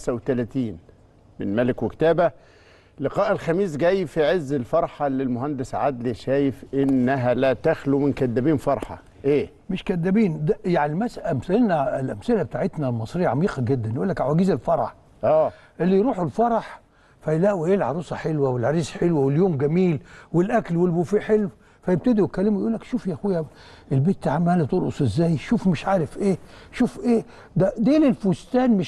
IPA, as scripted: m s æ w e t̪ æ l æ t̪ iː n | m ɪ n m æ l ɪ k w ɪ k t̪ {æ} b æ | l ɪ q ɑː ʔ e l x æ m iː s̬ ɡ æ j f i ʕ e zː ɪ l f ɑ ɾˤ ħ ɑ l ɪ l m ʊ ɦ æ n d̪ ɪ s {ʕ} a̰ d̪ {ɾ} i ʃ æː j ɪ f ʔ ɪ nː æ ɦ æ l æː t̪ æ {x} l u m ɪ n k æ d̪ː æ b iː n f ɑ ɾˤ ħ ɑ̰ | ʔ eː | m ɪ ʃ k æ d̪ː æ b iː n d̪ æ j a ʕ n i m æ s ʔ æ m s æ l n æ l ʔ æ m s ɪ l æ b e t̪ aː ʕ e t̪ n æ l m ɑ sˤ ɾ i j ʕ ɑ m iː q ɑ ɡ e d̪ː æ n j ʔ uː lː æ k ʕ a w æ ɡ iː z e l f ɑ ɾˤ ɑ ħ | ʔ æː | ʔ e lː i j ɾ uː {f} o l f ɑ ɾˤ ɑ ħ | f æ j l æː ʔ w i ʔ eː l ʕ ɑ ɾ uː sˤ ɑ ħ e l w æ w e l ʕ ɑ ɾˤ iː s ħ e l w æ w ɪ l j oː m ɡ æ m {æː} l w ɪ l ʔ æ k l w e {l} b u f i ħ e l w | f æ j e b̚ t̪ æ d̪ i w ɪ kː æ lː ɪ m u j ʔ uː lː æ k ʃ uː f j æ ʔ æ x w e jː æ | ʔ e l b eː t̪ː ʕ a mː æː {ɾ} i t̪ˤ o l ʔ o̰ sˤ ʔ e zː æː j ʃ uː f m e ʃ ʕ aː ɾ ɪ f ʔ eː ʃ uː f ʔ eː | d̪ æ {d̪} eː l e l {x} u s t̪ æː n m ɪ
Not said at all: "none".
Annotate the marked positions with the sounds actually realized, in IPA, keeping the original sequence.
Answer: æː, ʕ, l, x, ħ, iː, l, l, d̪, f

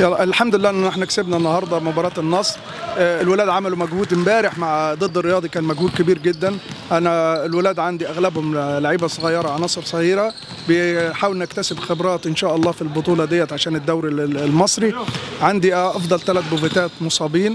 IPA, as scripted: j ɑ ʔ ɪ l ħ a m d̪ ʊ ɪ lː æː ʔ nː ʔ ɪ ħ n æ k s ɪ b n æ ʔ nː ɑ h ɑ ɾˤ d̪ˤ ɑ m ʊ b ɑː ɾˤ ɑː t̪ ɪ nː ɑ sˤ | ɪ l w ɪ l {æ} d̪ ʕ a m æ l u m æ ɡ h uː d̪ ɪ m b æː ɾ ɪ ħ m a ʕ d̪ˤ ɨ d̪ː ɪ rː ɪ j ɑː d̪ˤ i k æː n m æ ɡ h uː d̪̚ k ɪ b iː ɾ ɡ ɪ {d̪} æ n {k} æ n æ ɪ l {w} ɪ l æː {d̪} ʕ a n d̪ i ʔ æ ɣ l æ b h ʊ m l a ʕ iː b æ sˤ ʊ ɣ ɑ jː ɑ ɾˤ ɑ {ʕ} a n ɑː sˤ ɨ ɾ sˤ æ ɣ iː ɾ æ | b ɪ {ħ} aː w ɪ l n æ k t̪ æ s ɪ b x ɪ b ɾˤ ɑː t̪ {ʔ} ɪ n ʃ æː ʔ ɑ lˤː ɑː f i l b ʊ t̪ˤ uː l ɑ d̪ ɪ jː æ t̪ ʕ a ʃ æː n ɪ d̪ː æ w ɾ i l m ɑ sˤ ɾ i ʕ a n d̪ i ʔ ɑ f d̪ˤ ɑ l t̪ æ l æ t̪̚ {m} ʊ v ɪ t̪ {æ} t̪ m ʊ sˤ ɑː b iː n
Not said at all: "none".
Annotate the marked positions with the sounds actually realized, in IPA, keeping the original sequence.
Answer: æː, d̪ː, ʔ, w, d̪, ʕ, ħ, ʔ, b, æː

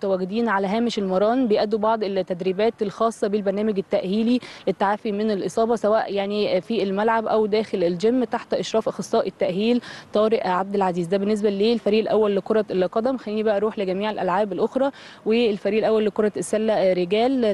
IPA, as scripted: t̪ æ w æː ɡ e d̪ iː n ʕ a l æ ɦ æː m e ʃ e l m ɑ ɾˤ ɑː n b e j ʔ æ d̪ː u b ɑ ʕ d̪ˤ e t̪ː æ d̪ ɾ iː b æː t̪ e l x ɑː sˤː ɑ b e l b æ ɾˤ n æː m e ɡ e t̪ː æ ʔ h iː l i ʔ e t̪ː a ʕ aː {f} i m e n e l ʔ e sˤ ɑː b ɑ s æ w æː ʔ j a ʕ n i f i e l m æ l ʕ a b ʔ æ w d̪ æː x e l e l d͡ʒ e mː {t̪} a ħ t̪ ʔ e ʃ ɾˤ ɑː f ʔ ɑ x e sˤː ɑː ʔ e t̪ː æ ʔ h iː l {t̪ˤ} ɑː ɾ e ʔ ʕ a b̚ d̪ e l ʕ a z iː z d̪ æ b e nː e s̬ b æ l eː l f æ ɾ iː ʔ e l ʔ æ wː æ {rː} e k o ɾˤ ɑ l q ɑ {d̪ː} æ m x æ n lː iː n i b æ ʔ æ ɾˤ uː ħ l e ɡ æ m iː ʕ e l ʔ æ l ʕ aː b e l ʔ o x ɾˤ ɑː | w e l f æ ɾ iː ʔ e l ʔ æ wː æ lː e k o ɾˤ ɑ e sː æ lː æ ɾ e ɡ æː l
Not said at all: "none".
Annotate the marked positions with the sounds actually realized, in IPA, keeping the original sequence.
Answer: f, t̪, t̪ˤ, lː, d̪

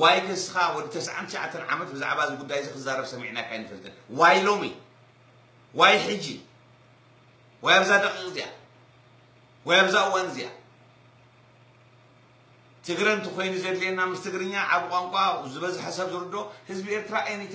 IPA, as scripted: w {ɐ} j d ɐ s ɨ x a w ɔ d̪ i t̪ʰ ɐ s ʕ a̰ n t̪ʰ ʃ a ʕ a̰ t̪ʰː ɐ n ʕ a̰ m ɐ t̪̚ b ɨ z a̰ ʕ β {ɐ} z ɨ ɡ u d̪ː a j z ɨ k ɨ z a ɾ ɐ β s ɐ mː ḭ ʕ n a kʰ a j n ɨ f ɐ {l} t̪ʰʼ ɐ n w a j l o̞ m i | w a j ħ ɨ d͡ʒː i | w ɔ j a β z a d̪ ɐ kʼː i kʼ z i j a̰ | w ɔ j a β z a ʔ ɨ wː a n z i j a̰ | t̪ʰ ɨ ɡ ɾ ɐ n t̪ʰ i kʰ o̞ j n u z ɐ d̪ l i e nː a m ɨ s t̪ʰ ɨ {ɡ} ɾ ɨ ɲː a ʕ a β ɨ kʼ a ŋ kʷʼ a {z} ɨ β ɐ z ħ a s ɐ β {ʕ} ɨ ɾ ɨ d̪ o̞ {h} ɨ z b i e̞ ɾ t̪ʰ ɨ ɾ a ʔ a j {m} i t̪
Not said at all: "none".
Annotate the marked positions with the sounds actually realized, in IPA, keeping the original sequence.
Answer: a, a, l, ɡ, z, z, h, n

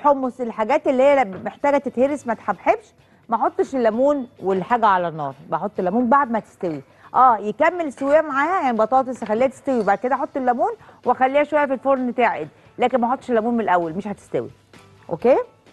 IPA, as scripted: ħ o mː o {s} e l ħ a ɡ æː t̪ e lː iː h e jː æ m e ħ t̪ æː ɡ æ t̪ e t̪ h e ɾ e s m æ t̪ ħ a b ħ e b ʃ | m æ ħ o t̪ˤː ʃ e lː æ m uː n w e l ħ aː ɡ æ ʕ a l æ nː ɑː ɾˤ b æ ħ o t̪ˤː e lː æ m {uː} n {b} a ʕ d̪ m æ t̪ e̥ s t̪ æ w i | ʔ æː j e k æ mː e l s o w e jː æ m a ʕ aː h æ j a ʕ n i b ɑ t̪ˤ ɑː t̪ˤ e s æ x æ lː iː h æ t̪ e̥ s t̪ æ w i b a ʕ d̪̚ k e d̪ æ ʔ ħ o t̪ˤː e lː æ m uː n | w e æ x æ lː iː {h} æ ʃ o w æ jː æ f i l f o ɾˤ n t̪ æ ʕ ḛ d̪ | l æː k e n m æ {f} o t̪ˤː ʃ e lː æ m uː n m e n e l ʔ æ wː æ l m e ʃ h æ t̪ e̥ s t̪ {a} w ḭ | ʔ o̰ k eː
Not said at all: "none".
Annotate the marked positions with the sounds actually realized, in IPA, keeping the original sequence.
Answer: s, uː, b, h, ħ, æ

